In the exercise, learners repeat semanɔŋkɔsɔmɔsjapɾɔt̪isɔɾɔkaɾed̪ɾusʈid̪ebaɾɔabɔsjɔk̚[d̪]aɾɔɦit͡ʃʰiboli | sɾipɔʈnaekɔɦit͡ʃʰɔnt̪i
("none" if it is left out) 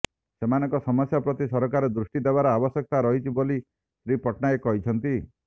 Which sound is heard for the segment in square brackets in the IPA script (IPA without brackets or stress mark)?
t̪